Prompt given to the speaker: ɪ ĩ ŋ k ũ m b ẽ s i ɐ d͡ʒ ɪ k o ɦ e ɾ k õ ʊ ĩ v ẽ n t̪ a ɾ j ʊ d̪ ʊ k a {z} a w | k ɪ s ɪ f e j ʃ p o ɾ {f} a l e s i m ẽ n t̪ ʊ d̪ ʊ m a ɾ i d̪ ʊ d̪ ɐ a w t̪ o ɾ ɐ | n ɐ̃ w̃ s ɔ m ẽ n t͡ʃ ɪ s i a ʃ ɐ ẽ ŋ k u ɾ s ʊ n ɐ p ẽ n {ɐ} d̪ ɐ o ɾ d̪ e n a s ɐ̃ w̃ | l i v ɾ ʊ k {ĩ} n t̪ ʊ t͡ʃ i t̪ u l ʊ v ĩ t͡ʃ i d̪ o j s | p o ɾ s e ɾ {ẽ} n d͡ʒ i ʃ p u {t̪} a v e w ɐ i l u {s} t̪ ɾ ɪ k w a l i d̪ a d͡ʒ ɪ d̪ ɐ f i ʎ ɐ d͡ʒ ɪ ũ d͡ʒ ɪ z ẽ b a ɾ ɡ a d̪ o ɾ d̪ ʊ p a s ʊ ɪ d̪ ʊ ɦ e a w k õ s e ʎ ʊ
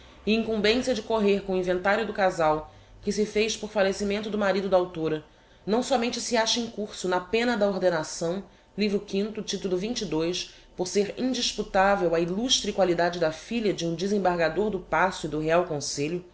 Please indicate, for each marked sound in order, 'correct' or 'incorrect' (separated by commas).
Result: correct, correct, correct, correct, incorrect, correct, incorrect